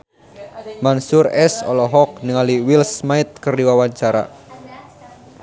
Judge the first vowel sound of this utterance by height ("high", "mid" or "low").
low